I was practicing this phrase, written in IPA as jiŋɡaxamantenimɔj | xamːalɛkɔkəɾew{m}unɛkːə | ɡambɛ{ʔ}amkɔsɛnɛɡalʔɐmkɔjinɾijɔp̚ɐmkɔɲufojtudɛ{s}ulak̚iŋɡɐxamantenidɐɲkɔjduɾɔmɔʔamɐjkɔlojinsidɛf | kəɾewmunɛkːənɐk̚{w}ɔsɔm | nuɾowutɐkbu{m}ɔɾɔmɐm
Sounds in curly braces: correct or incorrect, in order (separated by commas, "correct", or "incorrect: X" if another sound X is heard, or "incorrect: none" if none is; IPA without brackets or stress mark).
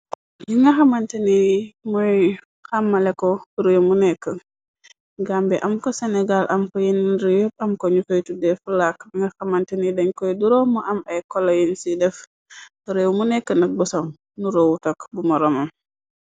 correct, correct, incorrect: f, incorrect: b, correct